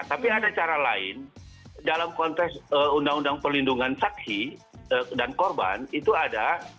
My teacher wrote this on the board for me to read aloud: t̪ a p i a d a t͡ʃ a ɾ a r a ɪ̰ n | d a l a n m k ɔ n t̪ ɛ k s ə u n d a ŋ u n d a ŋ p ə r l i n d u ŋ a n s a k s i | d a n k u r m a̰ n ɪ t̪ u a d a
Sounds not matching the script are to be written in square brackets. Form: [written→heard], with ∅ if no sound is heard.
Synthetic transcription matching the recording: t̪ a p i a d a t͡ʃ a ɾ a [r→l] a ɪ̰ n | d a l a [n→∅] m k ɔ n t̪ ɛ k s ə u n d a ŋ u n d a ŋ p ə r l i n d u ŋ a n s a k s i | d a n k [u→ɔ] r [m→b] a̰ n [ɪ→i] t̪ u a d a